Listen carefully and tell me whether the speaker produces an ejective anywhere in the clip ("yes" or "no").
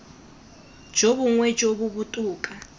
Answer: yes